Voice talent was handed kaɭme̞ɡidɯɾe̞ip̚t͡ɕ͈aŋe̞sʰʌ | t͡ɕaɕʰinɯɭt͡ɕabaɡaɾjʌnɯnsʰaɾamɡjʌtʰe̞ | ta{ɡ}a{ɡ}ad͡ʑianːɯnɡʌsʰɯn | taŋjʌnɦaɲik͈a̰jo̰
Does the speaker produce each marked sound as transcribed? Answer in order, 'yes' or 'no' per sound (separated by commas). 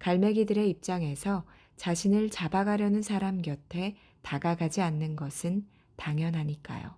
yes, yes